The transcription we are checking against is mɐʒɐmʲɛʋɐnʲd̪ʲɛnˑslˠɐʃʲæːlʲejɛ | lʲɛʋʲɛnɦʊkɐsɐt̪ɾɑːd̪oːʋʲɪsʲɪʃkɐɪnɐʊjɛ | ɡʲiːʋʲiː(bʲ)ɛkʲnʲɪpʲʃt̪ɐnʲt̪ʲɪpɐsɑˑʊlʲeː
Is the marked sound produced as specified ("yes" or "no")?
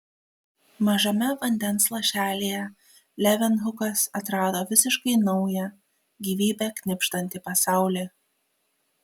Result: yes